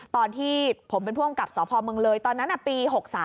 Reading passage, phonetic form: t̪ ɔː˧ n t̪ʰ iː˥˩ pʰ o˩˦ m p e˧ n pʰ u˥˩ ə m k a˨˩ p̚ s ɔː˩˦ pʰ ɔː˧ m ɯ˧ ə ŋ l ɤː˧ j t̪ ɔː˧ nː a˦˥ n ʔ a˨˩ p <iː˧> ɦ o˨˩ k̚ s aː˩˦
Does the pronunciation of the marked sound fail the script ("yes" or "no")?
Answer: no